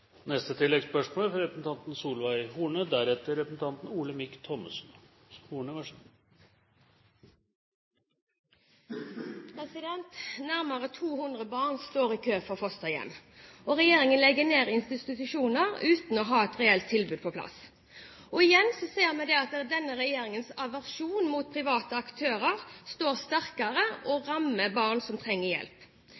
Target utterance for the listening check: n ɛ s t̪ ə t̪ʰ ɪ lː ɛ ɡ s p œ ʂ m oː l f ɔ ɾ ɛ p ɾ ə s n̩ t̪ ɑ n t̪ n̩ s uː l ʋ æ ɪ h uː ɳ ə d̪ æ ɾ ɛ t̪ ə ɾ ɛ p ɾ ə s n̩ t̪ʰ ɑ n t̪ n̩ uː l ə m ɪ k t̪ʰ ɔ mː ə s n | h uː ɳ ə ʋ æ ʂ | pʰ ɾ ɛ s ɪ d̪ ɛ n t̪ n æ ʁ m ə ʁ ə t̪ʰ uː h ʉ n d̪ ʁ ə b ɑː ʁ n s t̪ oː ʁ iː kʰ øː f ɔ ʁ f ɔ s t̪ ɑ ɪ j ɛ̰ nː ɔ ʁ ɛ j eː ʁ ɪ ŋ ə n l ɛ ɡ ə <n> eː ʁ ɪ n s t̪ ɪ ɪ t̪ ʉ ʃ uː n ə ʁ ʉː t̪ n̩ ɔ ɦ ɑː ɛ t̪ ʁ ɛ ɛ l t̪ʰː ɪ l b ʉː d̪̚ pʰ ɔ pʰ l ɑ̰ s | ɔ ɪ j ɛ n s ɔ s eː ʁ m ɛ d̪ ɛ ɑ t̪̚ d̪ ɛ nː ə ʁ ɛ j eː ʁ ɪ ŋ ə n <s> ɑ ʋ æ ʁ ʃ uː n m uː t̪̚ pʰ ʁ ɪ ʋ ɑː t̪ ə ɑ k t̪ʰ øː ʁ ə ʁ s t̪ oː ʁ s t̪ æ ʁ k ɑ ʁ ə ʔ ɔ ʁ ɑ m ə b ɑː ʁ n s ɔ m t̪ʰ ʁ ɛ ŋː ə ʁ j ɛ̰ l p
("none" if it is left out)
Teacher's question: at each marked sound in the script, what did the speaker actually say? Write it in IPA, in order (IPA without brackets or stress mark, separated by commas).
n, s